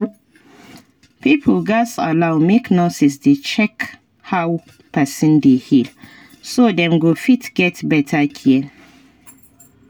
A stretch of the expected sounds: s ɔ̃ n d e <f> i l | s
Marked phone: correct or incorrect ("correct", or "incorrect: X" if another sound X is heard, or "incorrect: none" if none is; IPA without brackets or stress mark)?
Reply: incorrect: h